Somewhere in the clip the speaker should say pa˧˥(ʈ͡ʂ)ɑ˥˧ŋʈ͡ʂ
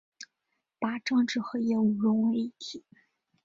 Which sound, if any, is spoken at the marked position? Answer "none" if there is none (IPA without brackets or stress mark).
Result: ʈ͡ʂ